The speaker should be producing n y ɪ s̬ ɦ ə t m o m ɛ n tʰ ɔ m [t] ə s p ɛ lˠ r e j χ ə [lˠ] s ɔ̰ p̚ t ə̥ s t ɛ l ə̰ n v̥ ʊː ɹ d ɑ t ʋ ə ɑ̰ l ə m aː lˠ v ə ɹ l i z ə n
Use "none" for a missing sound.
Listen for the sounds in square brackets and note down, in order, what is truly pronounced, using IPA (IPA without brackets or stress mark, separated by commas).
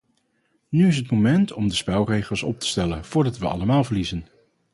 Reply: d, lˠ